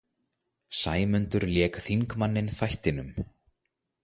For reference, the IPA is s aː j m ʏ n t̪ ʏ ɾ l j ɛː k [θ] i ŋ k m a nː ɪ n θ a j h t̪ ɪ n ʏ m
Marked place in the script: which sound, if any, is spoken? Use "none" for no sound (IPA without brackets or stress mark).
θ